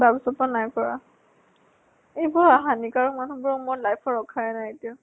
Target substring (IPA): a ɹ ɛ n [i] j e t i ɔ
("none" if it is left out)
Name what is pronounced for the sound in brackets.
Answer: a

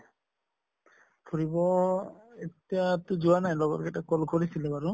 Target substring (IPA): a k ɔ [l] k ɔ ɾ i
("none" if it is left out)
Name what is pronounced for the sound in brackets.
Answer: l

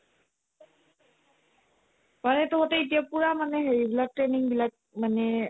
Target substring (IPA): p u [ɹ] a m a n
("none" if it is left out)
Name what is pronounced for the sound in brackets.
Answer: ɹ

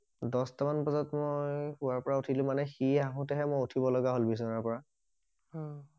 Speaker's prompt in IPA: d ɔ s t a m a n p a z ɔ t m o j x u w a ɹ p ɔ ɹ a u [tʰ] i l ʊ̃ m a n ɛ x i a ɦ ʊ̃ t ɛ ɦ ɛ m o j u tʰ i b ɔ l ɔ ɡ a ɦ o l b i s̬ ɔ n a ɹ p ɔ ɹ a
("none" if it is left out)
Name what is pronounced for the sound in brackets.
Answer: tʰ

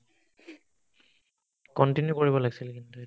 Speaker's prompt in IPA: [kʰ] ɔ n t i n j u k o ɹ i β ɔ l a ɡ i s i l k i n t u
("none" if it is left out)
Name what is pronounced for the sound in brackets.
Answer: k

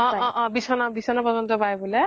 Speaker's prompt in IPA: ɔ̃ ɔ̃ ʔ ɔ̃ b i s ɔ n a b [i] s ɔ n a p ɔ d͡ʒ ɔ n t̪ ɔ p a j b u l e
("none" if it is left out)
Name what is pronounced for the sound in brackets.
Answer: i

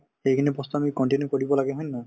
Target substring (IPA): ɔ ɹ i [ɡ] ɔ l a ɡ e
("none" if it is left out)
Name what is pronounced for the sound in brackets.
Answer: b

